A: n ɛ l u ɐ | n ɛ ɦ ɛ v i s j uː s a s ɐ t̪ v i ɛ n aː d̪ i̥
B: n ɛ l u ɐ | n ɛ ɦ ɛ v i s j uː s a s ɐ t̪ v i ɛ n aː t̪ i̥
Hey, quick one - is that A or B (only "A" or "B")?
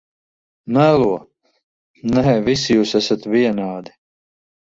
A